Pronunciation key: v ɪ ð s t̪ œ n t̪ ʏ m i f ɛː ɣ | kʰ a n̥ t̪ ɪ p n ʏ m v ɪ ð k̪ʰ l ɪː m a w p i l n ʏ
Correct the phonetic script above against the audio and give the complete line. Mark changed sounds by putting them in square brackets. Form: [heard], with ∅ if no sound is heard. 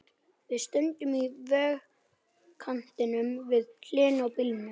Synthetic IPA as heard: v ɪ ð s t̪ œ n t̪ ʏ m i [v] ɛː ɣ | kʰ a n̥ t̪ ɪ [∅] n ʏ m v ɪ ð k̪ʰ l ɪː [n] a w p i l n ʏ